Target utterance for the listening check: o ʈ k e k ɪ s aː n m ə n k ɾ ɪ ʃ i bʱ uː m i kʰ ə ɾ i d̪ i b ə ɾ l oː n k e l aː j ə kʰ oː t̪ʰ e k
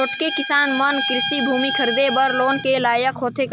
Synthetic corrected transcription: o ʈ k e k ɪ s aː n m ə n k ɾ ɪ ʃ i bʱ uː m i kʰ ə ɾ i d̪ e b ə ɾ l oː n k e l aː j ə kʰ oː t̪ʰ e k